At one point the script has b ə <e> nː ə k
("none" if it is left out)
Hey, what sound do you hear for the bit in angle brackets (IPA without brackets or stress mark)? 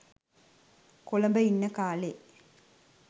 i